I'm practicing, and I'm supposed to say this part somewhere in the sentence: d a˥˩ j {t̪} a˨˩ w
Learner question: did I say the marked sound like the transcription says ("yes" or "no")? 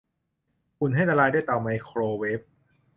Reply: yes